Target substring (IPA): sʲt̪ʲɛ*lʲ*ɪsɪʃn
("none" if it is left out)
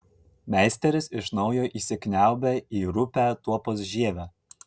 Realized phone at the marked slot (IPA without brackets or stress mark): ɾʲ